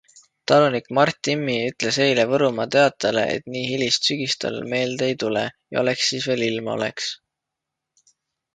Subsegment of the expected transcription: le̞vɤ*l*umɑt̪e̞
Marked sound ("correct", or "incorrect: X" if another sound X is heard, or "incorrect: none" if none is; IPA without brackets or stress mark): incorrect: ɾ